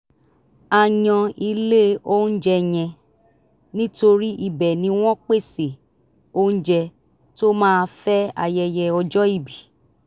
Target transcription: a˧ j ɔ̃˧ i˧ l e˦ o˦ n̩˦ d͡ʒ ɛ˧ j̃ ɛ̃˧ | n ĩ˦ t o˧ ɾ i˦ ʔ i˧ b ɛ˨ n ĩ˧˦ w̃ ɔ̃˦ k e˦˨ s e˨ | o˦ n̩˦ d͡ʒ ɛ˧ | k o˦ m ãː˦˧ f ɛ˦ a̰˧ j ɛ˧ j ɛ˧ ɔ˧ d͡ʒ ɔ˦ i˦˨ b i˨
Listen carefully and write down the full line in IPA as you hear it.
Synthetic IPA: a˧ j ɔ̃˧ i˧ l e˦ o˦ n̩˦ d͡ʒ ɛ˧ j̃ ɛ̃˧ | n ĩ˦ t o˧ ɾ i˦ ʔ i˧ b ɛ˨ n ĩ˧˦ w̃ ɔ̃˦ k͡p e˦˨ s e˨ | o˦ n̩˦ d͡ʒ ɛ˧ | t o˦ m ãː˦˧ f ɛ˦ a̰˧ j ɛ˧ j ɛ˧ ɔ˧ d͡ʒ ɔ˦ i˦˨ b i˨